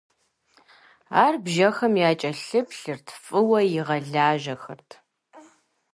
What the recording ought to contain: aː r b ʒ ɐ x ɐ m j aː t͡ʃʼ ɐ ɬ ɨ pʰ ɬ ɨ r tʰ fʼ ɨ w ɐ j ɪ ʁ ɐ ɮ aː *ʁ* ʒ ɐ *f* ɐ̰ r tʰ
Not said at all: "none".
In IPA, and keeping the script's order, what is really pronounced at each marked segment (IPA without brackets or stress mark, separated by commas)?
none, x